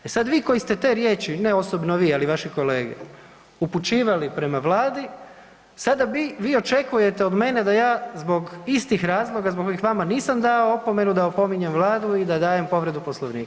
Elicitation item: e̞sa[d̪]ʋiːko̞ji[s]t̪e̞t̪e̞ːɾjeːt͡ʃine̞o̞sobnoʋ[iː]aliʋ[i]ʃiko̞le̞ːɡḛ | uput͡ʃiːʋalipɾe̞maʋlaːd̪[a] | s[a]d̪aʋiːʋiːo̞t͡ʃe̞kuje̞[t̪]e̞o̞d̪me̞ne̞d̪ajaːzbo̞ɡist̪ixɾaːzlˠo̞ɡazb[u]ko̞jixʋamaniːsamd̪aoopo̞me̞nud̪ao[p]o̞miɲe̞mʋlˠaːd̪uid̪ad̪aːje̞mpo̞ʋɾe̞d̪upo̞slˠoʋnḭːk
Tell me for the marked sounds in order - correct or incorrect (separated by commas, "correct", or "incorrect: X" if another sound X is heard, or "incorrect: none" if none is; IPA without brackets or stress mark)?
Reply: correct, correct, correct, incorrect: a, incorrect: i, correct, correct, incorrect: o, correct